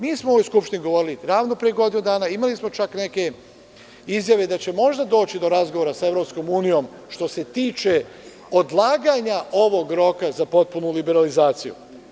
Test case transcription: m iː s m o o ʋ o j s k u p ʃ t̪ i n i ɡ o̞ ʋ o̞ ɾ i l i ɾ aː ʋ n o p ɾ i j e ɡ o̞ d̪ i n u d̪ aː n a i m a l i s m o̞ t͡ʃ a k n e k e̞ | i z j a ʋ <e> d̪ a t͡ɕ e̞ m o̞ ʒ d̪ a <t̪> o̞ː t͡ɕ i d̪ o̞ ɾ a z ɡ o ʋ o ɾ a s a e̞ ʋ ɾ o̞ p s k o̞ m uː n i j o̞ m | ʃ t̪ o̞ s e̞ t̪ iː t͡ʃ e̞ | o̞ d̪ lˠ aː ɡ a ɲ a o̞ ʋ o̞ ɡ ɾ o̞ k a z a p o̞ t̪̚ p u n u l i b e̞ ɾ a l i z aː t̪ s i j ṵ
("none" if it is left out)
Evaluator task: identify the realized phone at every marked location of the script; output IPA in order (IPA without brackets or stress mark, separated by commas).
e, d̪